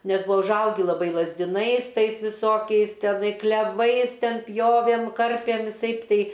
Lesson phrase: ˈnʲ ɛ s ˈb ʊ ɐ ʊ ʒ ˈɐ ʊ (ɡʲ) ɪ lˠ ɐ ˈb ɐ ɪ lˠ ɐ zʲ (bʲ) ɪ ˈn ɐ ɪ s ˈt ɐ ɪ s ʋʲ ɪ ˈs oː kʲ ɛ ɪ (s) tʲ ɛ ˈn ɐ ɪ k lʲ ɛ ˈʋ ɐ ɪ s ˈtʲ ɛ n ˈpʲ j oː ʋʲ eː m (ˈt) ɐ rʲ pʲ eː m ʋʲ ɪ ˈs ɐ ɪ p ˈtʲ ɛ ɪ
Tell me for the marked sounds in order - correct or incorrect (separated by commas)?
correct, incorrect, correct, incorrect